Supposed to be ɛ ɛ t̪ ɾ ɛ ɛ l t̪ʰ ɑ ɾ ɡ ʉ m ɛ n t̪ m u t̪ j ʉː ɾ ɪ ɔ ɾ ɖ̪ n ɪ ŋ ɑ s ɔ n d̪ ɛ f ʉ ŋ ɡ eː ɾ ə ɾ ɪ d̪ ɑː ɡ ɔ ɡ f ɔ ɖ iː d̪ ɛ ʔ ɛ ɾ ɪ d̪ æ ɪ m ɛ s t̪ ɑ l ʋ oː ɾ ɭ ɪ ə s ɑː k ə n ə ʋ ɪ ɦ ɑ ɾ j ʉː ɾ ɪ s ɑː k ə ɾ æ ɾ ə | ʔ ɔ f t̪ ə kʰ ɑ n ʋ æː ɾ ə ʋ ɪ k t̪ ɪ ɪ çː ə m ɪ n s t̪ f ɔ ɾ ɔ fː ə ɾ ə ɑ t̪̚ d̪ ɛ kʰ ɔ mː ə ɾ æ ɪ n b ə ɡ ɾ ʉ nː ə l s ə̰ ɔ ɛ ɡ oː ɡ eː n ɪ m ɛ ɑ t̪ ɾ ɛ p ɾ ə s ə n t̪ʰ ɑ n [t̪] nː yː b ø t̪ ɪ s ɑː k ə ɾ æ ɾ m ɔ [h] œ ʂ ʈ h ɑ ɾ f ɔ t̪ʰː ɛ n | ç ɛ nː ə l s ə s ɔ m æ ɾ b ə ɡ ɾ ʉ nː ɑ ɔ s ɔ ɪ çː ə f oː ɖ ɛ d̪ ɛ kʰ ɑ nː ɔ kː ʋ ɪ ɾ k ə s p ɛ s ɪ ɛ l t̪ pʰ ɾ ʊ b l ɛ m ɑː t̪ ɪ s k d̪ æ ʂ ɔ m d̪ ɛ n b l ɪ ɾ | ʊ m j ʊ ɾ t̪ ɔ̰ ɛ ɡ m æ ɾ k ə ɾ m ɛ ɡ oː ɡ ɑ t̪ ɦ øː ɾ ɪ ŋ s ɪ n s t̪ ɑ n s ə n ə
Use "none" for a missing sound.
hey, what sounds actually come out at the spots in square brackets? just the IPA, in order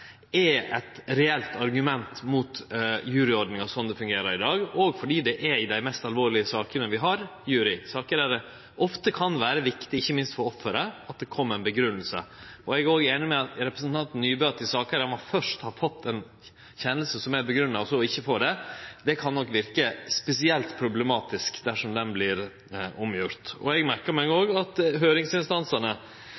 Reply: t̪, f

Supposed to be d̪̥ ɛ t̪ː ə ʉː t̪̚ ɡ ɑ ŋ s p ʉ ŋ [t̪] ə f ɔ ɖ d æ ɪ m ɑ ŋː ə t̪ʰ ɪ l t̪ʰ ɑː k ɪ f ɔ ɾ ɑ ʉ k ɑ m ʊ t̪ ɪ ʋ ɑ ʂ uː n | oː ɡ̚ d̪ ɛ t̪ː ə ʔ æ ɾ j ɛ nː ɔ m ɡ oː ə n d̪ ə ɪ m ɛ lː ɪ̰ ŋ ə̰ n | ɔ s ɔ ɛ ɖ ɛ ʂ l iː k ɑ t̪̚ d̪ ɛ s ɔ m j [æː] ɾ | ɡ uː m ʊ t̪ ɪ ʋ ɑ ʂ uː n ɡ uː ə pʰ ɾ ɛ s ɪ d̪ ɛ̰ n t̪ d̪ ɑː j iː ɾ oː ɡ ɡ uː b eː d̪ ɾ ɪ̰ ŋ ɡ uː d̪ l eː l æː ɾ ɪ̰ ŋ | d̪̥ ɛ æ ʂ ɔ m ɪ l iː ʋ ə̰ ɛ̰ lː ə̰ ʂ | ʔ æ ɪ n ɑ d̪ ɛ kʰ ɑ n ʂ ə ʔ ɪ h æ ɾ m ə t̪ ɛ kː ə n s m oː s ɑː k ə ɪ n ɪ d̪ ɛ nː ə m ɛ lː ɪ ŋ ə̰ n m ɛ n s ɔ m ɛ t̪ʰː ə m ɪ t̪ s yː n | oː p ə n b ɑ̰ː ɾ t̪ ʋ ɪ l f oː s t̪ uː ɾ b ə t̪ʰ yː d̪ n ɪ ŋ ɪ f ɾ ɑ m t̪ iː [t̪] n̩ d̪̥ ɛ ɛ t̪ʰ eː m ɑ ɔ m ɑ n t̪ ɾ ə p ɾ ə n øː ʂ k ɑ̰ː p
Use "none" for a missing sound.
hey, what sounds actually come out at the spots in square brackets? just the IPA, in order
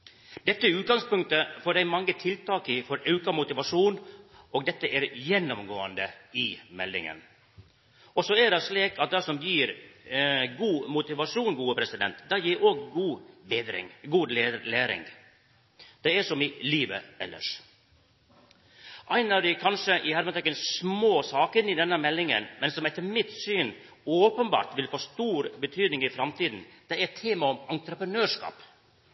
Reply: t̪, iː, d̪

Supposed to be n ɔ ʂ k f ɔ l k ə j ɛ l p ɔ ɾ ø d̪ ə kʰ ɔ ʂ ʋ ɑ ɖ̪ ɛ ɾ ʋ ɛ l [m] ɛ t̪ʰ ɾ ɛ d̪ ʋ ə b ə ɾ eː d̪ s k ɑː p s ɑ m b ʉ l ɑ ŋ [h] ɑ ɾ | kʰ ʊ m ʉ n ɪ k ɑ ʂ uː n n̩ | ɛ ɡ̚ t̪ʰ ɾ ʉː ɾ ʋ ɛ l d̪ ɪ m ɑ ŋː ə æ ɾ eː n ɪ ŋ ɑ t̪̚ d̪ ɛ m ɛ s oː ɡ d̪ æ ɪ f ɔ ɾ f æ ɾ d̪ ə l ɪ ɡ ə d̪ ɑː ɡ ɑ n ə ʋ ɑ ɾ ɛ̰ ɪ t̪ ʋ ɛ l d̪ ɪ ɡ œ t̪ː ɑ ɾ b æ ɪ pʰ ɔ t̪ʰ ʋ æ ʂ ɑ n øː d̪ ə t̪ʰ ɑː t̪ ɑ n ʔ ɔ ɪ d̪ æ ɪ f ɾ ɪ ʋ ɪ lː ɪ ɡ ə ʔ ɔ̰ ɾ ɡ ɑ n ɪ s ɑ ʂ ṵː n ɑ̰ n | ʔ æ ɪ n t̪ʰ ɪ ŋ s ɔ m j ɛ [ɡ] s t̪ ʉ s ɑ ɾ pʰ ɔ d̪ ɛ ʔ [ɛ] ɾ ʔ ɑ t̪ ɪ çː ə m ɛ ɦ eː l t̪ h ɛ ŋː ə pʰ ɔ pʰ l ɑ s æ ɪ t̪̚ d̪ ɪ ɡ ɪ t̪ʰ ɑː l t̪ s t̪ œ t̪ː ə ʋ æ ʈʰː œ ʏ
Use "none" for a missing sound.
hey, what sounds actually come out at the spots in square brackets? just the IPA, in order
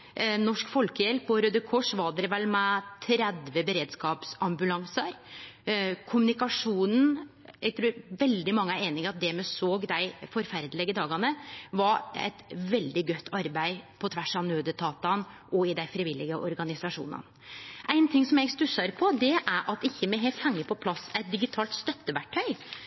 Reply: m, s, ɡ, æ

